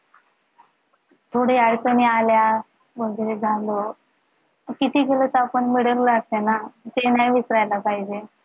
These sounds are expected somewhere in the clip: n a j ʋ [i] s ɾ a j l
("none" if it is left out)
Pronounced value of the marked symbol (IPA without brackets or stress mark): i